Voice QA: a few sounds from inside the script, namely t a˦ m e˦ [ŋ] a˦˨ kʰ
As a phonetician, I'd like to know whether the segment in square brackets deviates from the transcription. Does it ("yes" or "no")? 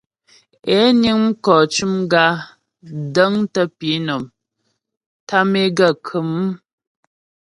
yes